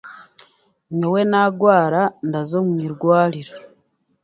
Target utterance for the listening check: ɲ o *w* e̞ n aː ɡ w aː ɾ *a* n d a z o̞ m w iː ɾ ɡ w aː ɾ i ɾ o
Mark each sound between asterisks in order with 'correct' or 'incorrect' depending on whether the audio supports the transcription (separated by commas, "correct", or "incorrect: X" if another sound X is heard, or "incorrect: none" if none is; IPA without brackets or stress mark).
correct, correct